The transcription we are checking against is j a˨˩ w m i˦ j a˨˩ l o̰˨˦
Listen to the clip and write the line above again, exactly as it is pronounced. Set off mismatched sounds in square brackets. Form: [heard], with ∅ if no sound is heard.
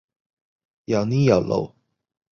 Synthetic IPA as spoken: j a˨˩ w [n] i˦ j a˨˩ l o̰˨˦